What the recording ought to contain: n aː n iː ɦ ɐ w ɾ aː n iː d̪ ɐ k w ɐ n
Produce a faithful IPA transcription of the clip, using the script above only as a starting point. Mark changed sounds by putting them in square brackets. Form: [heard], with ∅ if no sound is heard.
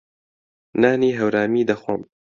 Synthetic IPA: n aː n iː ɦ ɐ w ɾ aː [m] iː d̪ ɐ [x] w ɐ [m]